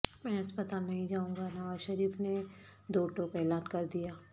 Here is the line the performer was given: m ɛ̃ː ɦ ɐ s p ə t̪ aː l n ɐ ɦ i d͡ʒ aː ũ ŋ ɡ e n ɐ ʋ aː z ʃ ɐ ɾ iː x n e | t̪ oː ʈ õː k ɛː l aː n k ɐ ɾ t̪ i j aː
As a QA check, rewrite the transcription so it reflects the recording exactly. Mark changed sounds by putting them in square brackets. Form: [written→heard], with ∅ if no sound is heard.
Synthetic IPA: m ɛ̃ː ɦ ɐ s p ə t̪ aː l n ɐ ɦ [i→ĩ] d͡ʒ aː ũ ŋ ɡ [e→a] n ɐ ʋ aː z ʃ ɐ ɾ iː [x→f] n e | [t̪→d̪] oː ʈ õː k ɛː l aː n k ɐ ɾ [t̪→d̪] i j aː

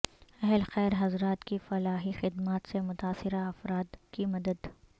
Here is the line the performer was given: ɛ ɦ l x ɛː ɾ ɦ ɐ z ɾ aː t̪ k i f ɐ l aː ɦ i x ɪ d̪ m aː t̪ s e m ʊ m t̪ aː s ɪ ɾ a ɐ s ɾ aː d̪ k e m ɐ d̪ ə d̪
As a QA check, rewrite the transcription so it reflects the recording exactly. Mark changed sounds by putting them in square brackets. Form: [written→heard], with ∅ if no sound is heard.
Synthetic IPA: ɛ ɦ l x ɛː ɾ ɦ ɐ z ɾ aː t̪ k i f ɐ l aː ɦ i x ɪ d̪ m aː t̪ s e m ʊ [m→∅] t̪ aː s ɪ ɾ a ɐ [s→f] ɾ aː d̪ k [e→i] m ɐ d̪ ə d̪

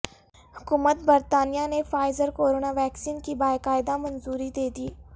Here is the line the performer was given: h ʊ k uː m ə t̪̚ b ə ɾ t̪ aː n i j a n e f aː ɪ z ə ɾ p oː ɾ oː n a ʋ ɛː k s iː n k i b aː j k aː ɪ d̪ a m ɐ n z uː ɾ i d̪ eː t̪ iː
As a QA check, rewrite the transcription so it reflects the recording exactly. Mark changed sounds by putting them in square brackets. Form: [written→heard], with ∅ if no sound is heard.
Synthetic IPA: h ʊ k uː m ə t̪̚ b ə ɾ t̪ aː n i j a n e f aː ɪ z ə ɾ [p→k] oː ɾ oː n a ʋ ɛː k s iː n k i b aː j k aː ɪ d̪ a m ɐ n z uː ɾ i d̪ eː [t̪→d̪] iː

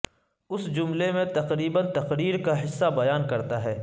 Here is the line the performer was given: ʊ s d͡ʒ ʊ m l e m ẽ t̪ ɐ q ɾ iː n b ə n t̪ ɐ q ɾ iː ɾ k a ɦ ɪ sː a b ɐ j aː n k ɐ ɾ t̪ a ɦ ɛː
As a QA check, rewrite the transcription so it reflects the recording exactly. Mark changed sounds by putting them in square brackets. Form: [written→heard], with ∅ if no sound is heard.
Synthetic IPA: ʊ s d͡ʒ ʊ m l e m ẽ t̪ ɐ q ɾ iː [n→∅] b ə n t̪ ɐ q ɾ iː ɾ k a ɦ ɪ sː a b ɐ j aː n k ɐ ɾ t̪ a ɦ ɛː

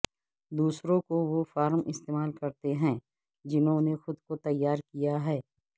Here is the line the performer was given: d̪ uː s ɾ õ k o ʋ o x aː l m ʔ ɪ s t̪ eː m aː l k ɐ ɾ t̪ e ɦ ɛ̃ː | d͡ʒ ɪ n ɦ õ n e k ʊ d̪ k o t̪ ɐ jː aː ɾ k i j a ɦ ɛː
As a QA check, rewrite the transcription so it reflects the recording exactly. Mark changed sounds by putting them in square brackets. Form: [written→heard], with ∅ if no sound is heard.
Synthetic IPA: d̪ uː s ɾ õ k o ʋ o [x→f] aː [l→ɾ] m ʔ ɪ s t̪ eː m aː l k ɐ ɾ t̪ e ɦ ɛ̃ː | d͡ʒ ɪ n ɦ õ n e [k→x] ʊ d̪ k o t̪ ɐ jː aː ɾ k i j a ɦ ɛː

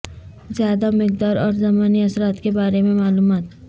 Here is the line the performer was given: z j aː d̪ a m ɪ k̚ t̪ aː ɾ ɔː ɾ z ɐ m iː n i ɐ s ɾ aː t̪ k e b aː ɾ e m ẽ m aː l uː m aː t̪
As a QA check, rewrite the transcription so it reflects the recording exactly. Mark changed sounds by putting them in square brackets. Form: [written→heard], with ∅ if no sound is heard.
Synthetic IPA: z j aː d̪ a m ɪ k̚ [t̪→d̪] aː ɾ ɔː ɾ z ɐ m [iː→aː] n i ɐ s ɾ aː t̪ k e b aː ɾ e m ẽ m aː l uː m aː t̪

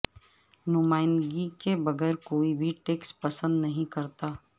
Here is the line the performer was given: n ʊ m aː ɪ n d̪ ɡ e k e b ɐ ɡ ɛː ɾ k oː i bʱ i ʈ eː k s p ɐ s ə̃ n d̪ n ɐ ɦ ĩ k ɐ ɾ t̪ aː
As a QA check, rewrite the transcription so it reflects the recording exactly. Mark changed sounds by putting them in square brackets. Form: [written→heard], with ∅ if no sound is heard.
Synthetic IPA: n ʊ m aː ɪ n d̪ ɡ [e→i] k e b ɐ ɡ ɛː ɾ k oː i bʱ i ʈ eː k s p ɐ s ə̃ n d̪ n ɐ ɦ ĩ k ɐ ɾ t̪ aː

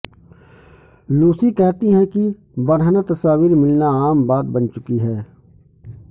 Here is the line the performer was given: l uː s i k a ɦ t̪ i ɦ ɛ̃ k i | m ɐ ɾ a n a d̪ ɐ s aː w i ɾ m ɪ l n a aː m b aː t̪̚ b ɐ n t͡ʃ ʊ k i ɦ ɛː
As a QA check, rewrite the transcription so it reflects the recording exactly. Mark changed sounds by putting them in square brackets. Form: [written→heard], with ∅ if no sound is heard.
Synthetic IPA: l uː s i k [a→ɛ] ɦ t̪ i ɦ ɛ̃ k i | [m→b] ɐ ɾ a n a [d̪→t̪] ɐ s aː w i ɾ m ɪ l n a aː m b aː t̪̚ b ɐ n t͡ʃ ʊ k i ɦ ɛː

